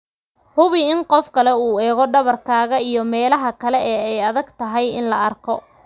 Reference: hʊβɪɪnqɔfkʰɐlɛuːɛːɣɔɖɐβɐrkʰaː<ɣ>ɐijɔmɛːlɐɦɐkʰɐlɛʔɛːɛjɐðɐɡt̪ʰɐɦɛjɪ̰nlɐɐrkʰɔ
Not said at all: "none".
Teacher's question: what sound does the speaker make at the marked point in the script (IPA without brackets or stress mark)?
ɣ